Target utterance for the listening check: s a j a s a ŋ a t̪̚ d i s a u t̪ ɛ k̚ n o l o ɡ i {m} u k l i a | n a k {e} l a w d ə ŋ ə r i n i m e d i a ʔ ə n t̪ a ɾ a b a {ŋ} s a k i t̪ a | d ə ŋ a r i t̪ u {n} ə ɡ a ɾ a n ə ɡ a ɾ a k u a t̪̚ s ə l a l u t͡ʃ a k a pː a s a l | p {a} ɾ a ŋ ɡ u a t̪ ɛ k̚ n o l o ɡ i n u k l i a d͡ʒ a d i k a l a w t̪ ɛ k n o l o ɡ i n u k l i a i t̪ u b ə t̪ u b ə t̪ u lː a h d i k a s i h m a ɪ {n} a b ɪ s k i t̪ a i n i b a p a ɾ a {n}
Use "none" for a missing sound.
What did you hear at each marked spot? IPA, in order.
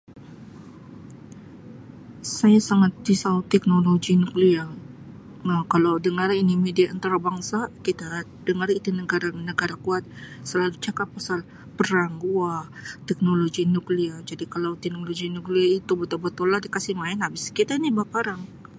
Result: n, a, ŋ, n, ə, n, ŋ

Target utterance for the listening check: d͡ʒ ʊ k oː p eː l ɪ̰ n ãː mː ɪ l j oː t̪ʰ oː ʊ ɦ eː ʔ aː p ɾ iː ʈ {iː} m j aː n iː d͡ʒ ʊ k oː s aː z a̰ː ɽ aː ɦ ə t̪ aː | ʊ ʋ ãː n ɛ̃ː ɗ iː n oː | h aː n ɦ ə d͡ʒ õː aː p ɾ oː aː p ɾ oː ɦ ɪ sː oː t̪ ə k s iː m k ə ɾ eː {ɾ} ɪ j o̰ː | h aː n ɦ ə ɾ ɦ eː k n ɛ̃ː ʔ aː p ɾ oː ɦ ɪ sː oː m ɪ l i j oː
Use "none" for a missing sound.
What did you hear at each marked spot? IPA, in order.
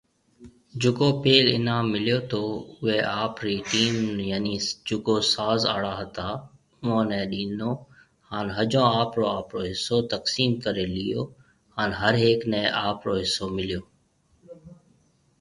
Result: iː, l

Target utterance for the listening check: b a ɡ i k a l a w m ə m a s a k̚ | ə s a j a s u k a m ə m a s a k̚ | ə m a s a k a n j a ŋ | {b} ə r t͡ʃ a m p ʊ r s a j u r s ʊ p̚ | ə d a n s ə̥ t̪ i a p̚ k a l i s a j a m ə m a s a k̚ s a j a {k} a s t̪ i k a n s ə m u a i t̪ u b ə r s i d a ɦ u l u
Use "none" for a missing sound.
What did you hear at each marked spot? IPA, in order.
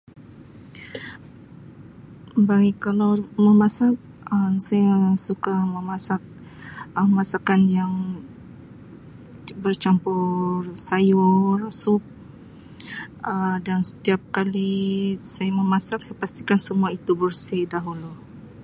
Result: b, p

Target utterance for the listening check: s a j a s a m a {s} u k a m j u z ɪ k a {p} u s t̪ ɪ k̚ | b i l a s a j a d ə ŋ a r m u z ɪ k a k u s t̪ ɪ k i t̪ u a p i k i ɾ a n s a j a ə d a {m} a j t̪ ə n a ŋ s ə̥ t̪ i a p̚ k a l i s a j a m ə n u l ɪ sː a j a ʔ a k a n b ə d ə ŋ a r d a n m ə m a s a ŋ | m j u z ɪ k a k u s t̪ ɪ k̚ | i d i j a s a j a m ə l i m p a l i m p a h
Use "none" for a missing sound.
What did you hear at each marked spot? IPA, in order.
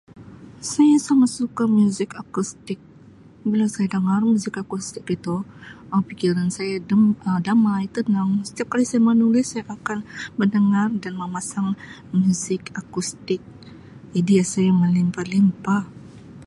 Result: s, k, m

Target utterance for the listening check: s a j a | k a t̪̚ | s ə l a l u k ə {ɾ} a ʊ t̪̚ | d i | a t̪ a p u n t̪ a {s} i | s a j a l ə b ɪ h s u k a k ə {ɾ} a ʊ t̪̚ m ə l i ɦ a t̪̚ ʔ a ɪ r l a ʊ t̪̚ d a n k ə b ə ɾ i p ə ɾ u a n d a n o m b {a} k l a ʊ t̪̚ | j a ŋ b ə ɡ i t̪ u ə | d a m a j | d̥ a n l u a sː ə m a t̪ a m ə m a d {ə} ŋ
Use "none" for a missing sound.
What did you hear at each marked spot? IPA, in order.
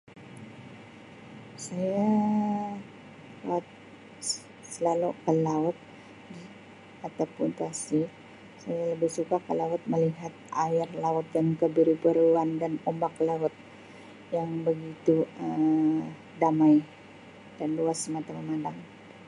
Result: l, s, l, a, a

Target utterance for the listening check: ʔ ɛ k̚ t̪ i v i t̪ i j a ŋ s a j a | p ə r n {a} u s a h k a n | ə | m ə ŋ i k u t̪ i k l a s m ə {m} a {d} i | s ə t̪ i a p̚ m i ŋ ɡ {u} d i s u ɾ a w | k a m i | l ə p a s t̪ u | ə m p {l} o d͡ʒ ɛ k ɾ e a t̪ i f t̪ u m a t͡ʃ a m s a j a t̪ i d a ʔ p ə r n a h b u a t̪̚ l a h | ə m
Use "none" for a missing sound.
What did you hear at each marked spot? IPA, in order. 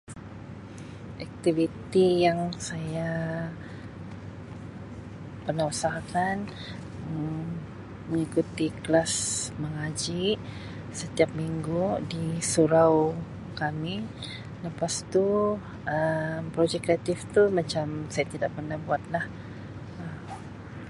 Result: a, ŋ, d͡ʒ, u, ɾ

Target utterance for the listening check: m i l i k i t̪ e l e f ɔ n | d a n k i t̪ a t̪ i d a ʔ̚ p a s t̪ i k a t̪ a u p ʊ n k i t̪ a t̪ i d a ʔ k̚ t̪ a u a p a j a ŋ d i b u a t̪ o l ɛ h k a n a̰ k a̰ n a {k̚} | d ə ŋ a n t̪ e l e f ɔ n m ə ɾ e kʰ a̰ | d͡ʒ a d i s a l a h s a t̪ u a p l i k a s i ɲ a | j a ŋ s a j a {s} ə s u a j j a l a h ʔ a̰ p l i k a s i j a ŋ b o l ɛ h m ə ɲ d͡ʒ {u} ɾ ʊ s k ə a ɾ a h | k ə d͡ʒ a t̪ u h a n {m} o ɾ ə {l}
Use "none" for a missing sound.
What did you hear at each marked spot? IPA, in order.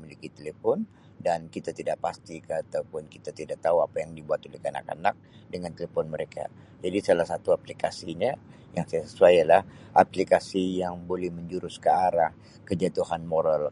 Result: k̚, s, u, m, l

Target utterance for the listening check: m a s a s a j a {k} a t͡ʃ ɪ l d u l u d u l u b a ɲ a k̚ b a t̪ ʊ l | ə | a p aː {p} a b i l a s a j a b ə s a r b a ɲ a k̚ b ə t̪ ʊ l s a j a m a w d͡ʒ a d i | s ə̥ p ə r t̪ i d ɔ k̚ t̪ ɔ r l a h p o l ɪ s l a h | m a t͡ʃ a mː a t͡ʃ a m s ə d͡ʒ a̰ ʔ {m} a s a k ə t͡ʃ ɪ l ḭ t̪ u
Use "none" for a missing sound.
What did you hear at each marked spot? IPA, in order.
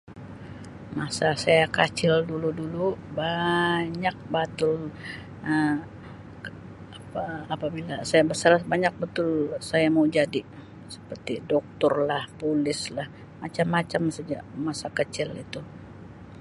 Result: k, p, m

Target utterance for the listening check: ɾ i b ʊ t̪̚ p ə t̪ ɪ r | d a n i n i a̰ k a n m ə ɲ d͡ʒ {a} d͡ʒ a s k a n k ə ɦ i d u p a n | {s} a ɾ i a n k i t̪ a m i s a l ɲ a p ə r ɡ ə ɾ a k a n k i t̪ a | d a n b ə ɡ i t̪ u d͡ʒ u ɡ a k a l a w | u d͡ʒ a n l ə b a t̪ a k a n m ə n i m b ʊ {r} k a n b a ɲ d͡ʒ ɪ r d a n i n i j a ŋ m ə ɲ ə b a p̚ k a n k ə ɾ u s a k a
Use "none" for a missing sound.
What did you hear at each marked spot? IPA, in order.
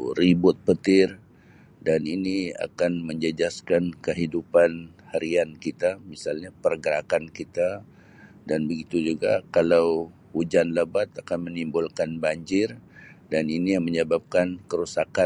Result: ə, h, l

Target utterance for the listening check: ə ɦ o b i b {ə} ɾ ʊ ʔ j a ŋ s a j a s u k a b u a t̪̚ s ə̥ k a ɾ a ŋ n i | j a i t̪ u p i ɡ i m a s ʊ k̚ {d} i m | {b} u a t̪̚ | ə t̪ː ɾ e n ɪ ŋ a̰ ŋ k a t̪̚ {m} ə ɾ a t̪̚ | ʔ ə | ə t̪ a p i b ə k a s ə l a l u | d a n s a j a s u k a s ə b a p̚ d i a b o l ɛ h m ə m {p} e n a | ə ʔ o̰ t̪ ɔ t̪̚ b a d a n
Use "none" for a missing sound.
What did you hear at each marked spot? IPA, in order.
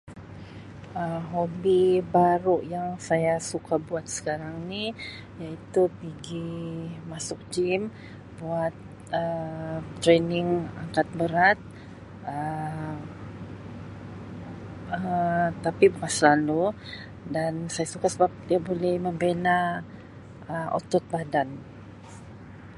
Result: a, d͡ʒ, b, b, b

